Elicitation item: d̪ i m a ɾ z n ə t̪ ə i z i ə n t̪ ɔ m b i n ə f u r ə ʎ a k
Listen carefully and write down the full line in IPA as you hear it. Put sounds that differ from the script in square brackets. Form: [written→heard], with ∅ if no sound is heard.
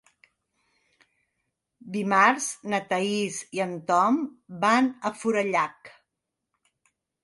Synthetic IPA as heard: d̪ i m a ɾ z n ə t̪ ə i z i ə n t̪ ɔ m b [i→a] n ə f u [r→ɾ] ə ʎ a k